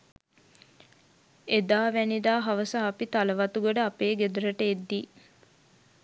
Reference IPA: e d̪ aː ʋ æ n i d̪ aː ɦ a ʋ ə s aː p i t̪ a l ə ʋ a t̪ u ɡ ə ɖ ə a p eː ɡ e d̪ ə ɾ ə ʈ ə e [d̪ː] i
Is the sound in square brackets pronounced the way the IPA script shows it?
yes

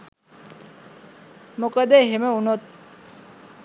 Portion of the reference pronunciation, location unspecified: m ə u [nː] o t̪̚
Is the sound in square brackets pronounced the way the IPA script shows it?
no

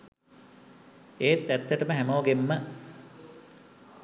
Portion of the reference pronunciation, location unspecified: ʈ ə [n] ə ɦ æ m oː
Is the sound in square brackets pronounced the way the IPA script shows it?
no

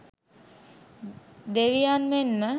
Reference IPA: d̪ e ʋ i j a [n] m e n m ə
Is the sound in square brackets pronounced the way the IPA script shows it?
yes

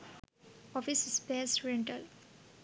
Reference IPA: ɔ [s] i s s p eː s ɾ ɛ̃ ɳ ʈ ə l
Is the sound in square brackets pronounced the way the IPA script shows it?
no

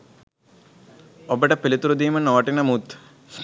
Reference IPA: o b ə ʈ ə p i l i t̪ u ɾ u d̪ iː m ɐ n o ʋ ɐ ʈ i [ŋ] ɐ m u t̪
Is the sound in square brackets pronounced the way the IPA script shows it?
no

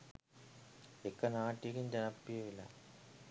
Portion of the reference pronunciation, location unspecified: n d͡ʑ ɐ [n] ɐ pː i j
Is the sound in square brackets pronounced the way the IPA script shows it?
yes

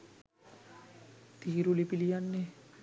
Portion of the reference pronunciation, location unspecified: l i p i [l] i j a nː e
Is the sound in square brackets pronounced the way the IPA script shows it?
yes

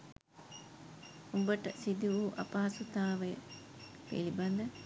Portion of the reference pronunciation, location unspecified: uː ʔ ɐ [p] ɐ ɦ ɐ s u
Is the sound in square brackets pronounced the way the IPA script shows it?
yes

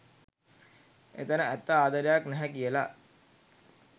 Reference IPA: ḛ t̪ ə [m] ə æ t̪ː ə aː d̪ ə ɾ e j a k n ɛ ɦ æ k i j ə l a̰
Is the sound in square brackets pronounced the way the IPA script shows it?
no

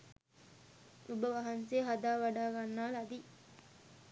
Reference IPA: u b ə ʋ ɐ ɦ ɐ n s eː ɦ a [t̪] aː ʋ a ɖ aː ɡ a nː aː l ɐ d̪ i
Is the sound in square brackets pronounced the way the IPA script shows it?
no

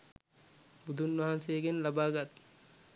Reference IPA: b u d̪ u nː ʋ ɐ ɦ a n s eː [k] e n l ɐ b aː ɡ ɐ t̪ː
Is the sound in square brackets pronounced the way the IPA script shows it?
no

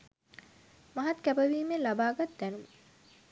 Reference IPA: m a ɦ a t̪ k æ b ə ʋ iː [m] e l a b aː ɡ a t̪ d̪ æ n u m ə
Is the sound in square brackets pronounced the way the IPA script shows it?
yes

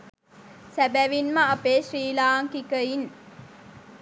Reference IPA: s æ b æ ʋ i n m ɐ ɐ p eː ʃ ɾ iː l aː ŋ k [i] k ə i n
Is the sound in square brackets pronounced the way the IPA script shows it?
yes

